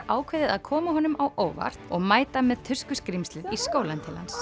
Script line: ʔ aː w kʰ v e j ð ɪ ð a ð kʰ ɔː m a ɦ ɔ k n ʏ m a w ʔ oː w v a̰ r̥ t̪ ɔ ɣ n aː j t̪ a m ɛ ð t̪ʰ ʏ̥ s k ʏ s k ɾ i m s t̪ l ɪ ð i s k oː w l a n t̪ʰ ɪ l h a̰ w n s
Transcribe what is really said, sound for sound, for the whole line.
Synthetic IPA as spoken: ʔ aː w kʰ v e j ð ɪ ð a ð kʰ ɔː m a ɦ ɔ n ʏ m a w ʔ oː w v a̰ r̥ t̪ ɔ ɣ m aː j t̪ a m ɛ ð t̪ʰ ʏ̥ s k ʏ s k ɾ i m s t̪ l ɪ ð i s k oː w l a n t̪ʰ ɪ l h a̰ n s